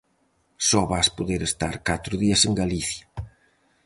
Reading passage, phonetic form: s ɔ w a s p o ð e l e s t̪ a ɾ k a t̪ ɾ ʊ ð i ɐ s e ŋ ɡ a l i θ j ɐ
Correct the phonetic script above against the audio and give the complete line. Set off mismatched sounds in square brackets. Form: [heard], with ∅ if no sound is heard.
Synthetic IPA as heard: s ɔ [β] a s p o ð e [ɾ] e s t̪ a ɾ k a t̪ ɾ ʊ ð i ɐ s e ŋ ɡ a l i θ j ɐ